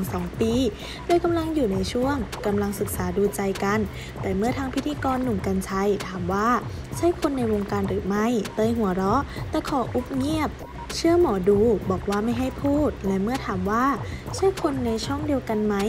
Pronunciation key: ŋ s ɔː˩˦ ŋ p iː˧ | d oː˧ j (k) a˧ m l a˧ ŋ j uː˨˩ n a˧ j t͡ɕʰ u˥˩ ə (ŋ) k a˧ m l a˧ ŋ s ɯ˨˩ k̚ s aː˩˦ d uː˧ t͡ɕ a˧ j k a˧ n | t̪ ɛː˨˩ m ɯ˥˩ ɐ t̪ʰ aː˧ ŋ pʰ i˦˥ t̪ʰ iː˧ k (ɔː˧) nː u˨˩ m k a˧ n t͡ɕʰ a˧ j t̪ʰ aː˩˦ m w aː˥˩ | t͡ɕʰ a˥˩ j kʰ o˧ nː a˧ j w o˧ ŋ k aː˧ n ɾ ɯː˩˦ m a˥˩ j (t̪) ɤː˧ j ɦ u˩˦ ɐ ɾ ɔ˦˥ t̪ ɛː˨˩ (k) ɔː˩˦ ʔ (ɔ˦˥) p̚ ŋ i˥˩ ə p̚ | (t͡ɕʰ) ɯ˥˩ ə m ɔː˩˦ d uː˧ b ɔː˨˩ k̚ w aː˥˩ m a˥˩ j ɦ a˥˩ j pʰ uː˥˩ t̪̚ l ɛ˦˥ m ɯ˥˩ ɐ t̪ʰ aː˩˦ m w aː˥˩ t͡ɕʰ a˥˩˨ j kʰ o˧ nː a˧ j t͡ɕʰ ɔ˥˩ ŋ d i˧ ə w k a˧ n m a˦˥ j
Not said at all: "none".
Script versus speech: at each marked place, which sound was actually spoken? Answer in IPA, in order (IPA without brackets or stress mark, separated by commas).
k, ŋ, ɔː˧, t̪, kʰ, u˦˥, t͡ɕʰ